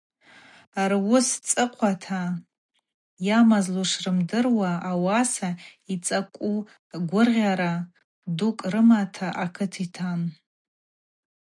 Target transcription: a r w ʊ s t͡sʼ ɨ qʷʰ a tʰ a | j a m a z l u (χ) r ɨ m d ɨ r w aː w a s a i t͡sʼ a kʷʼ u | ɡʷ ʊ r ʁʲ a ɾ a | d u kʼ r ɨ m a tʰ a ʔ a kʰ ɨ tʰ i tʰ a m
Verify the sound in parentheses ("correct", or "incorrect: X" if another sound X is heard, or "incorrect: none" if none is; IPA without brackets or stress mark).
incorrect: ʂ